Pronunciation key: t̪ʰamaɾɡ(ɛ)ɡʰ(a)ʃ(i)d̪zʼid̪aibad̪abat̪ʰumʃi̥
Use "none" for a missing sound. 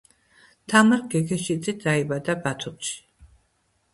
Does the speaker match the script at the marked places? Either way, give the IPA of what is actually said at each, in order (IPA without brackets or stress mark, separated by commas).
ɛ, ɛ, i